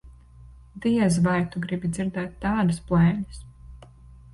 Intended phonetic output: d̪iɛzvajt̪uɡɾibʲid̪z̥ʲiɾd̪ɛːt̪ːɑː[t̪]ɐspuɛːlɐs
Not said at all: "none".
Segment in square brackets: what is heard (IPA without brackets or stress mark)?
d̪